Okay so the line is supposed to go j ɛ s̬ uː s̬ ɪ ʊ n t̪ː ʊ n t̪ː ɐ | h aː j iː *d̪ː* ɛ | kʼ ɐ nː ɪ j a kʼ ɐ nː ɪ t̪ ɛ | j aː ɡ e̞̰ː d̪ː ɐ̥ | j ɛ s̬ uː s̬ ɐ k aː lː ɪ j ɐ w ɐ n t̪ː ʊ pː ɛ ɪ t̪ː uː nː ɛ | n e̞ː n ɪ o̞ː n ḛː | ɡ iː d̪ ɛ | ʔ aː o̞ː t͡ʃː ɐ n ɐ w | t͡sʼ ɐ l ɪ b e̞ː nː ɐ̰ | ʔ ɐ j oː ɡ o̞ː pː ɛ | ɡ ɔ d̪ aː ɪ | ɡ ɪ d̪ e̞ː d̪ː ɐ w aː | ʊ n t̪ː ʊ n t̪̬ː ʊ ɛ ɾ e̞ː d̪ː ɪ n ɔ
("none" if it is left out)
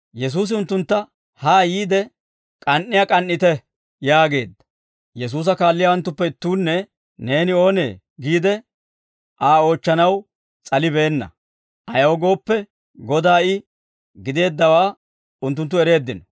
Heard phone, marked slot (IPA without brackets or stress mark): d̪